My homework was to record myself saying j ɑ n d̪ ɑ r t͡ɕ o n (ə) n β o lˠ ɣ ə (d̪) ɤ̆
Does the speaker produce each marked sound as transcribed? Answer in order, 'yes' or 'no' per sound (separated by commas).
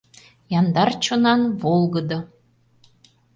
no, yes